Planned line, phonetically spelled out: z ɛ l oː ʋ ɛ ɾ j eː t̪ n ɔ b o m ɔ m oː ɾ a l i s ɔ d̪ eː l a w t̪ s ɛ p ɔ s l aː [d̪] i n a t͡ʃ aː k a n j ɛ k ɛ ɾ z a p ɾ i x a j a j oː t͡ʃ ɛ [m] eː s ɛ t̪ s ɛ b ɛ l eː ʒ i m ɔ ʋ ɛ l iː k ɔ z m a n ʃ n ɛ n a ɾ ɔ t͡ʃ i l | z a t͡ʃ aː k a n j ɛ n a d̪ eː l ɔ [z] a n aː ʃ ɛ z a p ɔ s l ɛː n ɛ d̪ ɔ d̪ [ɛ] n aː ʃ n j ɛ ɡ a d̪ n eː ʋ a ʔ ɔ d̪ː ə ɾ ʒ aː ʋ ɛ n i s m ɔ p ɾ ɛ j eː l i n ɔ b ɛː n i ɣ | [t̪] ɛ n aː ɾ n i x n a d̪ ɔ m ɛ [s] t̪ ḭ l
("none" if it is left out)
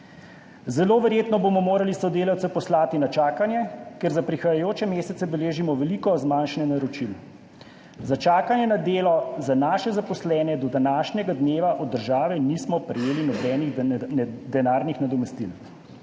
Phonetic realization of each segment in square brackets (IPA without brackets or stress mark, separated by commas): t̪, m, z, a, d̪, s